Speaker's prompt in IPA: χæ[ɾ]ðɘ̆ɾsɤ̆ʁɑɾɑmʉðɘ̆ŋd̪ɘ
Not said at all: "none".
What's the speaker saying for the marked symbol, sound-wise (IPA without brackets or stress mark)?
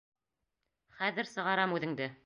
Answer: none